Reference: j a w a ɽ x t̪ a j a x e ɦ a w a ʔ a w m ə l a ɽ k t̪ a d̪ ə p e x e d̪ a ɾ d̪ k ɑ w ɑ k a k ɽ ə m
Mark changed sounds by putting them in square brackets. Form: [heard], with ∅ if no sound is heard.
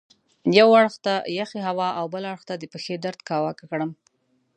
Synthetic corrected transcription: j a w a ɽ x t̪ a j a x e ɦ a w [ɑ] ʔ a w [b] ə l a ɽ [x] t̪ a d̪ ə p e x e d̪ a ɾ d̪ k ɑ w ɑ k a k ɽ ə m